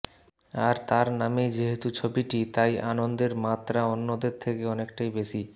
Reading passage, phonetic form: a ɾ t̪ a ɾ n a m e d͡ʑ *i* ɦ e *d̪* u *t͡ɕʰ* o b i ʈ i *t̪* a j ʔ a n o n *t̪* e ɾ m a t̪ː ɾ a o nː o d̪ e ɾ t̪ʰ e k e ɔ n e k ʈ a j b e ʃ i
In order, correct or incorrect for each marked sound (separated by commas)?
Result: incorrect, incorrect, correct, correct, incorrect